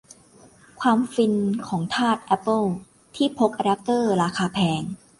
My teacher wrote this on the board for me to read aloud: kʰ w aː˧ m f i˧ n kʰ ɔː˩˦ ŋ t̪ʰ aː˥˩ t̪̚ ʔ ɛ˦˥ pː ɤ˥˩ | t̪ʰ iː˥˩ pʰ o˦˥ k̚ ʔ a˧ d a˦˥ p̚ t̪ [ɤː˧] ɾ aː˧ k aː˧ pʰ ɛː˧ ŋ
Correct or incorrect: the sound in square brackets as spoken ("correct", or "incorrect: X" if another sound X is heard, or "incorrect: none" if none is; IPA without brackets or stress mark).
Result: incorrect: ɤː˥˩